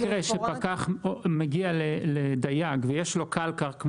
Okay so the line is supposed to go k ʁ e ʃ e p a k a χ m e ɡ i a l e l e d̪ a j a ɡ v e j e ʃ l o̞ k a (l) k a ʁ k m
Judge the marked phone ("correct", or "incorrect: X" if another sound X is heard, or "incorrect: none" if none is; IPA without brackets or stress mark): correct